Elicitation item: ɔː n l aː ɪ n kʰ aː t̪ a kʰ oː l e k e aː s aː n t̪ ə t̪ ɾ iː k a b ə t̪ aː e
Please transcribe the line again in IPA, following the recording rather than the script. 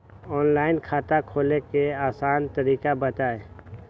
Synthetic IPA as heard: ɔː n l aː ɪ n kʰ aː t̪ a kʰ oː l e k e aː s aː n t̪ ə ɾ iː k a b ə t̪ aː e